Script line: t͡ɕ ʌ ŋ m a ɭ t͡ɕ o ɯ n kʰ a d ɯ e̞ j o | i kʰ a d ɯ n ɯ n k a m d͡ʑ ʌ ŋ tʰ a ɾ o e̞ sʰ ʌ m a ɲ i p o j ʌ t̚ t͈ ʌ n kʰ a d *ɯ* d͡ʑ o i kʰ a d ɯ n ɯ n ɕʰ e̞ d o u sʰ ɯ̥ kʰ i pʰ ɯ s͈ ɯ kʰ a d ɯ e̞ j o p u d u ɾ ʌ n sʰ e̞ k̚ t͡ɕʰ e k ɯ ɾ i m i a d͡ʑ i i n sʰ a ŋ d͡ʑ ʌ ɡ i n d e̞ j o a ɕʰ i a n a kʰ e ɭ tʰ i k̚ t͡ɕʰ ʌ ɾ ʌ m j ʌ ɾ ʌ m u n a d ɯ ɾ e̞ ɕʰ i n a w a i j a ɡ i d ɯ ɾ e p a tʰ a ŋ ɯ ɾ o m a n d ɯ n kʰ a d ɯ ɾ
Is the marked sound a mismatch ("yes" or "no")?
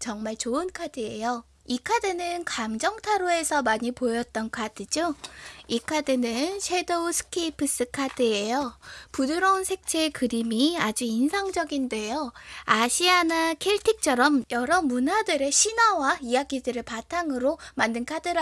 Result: no